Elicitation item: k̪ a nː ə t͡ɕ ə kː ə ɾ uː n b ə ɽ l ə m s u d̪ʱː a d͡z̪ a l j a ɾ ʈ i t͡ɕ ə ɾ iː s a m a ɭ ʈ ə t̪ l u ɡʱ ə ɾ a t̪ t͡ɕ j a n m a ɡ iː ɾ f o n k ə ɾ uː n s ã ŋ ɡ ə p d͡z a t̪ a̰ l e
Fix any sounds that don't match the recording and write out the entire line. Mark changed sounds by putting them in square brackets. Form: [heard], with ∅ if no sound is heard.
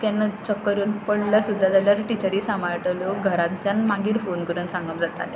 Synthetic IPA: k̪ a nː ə t͡ɕ ə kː ə ɾ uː n [p] ə ɽ l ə [∅] s u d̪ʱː a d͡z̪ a l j a ɾ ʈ i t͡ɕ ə ɾ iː s a m a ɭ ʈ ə [∅] l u ɡʱ ə ɾ a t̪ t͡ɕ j a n m a ɡ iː ɾ f o n k ə ɾ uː n s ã ŋ ɡ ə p d͡z a t̪ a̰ l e